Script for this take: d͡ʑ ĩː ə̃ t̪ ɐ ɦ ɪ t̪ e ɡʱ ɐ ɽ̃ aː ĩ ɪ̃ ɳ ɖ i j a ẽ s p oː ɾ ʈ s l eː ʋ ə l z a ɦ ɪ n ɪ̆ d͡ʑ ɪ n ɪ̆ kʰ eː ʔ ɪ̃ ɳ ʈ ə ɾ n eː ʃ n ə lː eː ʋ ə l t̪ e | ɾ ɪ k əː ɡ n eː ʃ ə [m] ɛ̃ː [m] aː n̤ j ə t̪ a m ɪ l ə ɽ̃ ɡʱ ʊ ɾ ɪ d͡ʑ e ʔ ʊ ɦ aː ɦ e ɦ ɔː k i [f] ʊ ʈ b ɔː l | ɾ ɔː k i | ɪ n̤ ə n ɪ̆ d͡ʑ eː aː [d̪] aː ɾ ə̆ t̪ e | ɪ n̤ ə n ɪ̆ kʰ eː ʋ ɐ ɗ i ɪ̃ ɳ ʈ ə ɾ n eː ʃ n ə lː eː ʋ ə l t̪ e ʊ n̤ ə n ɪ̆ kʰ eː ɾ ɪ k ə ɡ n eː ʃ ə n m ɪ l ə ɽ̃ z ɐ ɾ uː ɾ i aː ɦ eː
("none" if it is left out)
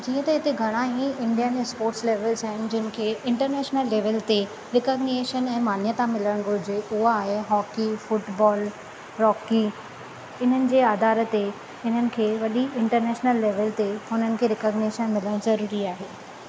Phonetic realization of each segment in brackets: n, m, f, d̪

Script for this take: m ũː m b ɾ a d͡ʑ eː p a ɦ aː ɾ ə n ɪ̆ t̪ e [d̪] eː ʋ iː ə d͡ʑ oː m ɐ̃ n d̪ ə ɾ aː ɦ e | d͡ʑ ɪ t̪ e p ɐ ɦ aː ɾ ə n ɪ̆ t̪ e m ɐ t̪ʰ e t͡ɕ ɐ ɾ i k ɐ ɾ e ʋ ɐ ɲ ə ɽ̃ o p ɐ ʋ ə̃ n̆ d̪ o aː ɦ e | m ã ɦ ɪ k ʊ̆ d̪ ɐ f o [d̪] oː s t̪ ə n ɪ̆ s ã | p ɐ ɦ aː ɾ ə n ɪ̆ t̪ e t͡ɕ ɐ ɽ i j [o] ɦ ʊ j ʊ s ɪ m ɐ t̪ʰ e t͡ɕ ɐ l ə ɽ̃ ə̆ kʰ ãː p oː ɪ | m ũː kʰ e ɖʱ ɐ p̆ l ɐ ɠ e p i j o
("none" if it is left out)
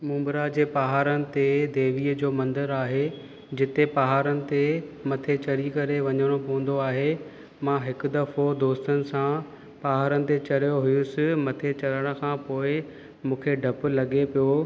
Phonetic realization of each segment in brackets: d̪, d̪, o

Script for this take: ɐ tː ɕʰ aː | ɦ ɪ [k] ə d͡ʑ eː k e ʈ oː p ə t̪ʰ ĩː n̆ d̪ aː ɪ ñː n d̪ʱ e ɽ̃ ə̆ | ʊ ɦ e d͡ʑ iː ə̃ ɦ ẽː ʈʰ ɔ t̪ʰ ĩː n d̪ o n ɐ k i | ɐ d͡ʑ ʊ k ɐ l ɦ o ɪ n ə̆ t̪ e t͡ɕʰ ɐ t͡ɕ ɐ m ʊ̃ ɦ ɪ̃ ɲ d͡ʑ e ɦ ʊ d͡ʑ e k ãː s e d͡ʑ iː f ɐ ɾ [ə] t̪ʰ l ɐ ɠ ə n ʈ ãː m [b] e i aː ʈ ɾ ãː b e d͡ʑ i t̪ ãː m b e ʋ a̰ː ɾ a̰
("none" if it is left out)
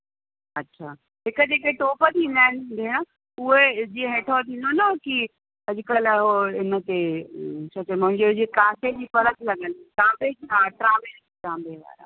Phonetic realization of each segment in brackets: k, ə, b

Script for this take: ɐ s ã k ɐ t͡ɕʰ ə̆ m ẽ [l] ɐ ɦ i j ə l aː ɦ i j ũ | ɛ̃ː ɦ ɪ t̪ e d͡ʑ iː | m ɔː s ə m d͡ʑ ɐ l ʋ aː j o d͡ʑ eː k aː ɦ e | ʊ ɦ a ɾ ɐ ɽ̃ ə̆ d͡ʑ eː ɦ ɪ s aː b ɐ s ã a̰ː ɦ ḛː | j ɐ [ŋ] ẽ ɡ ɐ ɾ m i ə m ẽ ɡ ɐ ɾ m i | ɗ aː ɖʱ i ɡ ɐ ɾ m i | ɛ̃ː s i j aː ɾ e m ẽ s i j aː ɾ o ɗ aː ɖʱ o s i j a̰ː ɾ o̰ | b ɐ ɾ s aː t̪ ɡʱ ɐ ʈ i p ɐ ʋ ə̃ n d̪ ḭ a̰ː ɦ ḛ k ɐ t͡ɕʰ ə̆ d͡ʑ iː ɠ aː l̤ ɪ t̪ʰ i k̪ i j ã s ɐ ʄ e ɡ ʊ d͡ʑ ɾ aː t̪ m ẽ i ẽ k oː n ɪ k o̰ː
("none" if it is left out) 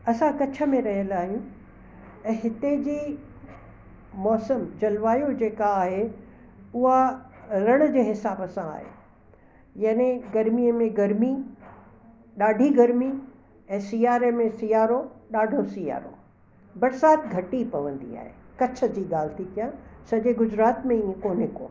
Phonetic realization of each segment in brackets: ɾ, n

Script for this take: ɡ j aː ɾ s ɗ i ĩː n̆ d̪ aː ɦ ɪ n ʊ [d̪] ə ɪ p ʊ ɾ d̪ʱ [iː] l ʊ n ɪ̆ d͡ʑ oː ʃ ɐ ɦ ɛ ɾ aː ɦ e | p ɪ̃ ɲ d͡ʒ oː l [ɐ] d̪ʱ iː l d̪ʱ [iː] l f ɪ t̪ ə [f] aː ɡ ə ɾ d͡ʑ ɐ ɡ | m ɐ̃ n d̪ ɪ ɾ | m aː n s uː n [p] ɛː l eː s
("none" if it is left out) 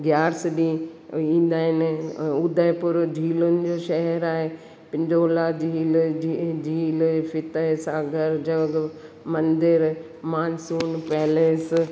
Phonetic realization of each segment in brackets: d̪, iː, a, iː, s, p

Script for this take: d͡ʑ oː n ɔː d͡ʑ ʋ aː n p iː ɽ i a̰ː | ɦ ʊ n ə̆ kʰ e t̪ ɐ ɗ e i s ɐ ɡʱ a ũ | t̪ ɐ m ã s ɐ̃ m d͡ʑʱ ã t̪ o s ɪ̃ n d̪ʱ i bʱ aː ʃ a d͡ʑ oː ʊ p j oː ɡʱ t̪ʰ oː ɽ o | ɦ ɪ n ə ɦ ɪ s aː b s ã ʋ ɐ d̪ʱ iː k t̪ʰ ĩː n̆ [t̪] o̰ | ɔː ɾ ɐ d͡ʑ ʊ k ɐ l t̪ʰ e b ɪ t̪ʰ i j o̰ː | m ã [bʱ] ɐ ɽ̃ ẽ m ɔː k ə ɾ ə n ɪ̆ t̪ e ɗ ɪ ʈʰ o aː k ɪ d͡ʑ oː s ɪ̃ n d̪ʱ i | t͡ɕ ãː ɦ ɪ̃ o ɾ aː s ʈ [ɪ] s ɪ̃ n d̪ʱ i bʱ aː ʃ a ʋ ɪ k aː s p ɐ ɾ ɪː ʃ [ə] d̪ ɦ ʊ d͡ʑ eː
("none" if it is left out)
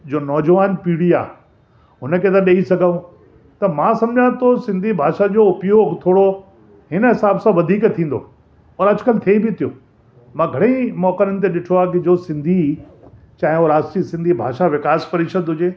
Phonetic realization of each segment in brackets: d̪, ɡʱ, i, ə

